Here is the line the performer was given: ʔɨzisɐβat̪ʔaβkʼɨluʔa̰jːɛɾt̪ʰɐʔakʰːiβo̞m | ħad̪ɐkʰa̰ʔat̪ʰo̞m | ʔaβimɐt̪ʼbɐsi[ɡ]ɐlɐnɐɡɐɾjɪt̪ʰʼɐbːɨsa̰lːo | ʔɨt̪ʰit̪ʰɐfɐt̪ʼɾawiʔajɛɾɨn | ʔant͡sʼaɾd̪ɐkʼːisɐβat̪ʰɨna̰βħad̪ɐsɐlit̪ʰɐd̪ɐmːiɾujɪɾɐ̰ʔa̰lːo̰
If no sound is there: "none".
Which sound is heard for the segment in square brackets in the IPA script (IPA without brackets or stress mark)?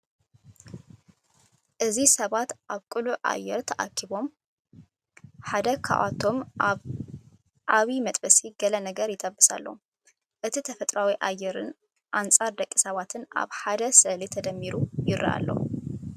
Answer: ɡ